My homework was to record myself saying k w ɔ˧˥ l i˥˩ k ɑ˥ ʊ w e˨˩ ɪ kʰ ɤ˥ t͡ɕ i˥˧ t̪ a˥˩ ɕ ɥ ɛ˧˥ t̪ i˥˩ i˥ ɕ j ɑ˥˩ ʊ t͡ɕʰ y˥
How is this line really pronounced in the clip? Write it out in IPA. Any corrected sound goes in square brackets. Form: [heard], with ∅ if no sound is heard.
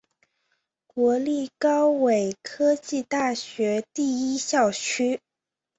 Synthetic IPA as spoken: k w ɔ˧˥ l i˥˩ k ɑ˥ ʊ w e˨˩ ɪ kʰ ɤ˥ t͡ɕ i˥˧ t̪ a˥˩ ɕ ɥ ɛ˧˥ t̪ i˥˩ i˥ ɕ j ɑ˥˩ ʊ t͡ɕʰ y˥